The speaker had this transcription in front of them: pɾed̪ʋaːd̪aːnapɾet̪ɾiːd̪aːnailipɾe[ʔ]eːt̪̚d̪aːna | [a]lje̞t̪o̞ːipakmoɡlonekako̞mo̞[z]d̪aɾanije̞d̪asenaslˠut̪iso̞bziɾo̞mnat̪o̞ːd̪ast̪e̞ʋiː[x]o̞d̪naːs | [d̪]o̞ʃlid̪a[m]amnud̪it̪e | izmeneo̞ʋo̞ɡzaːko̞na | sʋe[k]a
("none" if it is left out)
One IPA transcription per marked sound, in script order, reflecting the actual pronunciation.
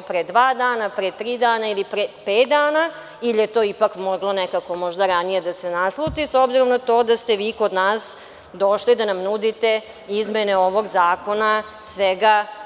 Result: p, i, ʒ, k, d̪, n, ɡ

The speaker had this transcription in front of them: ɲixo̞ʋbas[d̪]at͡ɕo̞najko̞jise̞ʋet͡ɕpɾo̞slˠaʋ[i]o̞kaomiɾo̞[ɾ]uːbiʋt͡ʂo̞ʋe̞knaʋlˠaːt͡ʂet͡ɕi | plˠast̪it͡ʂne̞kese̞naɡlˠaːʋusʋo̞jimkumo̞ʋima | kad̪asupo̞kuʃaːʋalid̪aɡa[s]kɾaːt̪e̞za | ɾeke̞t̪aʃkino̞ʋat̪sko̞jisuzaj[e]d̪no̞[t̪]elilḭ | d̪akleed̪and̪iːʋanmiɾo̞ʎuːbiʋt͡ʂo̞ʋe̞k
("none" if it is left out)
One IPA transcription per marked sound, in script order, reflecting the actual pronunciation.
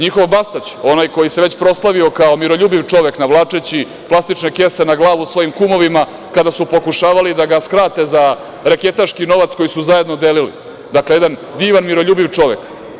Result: t̪, i, ʎ, s, e, d̪

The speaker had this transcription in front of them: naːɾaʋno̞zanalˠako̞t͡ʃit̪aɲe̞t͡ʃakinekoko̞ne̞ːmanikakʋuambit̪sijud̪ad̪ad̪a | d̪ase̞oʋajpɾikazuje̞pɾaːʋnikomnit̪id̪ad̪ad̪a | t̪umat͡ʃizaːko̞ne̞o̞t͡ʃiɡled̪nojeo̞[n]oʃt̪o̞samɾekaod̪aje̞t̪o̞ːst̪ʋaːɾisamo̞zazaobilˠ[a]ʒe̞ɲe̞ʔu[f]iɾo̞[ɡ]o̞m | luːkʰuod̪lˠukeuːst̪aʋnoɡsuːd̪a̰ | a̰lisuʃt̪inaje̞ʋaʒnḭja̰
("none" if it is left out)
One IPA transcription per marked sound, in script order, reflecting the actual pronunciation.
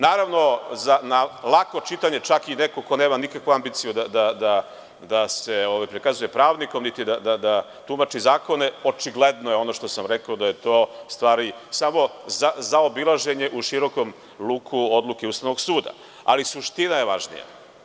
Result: n, a, ʃ, k

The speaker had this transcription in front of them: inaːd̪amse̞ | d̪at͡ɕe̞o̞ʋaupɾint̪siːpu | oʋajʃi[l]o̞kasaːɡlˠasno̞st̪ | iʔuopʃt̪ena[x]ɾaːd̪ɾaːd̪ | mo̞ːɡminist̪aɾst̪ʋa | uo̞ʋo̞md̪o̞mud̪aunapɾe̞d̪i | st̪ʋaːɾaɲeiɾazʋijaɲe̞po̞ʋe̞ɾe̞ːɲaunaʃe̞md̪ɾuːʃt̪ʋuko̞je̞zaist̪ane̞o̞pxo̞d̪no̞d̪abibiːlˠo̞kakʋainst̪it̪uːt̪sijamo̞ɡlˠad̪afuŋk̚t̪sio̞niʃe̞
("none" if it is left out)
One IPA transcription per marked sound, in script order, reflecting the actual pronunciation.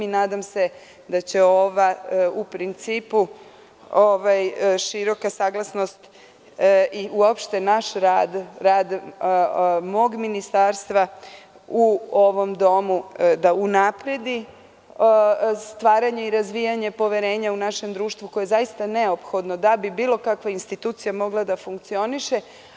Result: ɾ, ʃ

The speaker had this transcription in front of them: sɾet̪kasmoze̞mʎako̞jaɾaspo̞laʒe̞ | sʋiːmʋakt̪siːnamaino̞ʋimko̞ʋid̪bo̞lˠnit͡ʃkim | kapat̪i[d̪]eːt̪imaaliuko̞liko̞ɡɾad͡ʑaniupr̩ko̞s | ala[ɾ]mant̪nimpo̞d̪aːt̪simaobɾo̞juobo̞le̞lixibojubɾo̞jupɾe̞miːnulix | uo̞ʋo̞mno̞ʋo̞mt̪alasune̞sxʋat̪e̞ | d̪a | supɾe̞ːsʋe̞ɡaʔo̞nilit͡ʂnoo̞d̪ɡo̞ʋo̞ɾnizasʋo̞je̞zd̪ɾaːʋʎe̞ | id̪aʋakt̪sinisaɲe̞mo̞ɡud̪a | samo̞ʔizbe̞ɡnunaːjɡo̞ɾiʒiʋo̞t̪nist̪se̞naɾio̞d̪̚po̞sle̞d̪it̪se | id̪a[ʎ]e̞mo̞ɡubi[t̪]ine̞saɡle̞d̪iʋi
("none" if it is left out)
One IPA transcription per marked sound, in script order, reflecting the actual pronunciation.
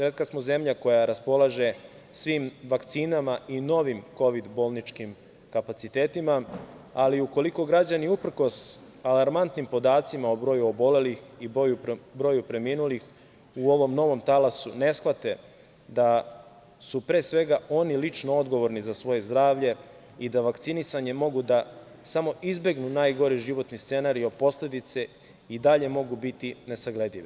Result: t̪, ɾ, ʎ, t̪

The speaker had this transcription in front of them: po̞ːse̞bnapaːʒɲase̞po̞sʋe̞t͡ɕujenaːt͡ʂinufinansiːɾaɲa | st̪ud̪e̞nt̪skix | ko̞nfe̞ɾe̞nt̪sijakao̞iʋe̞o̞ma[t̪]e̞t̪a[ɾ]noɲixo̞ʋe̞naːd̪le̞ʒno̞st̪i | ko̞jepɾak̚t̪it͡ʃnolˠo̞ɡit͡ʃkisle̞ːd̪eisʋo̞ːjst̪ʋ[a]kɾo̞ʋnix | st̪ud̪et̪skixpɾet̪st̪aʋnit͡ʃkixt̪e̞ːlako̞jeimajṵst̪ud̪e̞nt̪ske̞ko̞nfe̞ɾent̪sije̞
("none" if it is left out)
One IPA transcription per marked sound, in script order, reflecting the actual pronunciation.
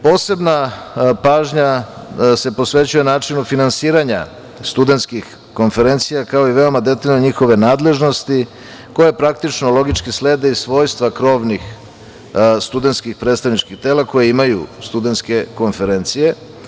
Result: d̪, ʎ, a

